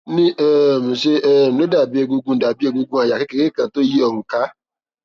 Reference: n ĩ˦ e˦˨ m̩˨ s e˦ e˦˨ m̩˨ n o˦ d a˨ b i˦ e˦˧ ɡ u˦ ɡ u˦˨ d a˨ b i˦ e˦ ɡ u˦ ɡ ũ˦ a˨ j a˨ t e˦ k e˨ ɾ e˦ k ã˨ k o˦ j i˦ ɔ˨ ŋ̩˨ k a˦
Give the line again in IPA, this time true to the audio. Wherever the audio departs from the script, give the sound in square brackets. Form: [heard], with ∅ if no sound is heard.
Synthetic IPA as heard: n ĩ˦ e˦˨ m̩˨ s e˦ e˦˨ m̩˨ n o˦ d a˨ b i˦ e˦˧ ɡ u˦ ɡ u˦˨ d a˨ b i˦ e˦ ɡ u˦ ɡ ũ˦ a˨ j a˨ [k] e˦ k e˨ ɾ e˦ k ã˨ [t] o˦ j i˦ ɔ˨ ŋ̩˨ k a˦